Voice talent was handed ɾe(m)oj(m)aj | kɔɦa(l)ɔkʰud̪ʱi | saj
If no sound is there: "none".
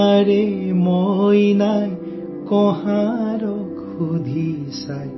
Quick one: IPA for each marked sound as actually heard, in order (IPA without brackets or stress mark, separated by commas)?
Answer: m, n, ɾ